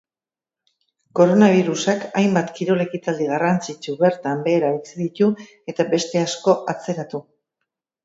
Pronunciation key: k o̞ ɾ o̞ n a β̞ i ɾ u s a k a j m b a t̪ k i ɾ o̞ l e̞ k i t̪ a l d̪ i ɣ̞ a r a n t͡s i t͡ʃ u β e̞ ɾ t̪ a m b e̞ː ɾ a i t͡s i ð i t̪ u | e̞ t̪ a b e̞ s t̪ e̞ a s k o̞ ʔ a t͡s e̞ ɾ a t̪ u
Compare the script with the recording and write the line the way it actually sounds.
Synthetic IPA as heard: k o̞ ɾ o̞ n a β̞ i ɾ u s a k a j m b a t̪ k i ɾ o̞ l e̞ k i t̪ a l d̪ i ɣ̞ a r a n t͡s i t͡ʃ u β e̞ ɾ t̪ a m b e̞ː ɾ a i t͡s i ð i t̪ u | e̞ t̪ a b e̞ s t̪ e̞ a s k o̞ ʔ a t͡s e̞ ɾ a t̪ u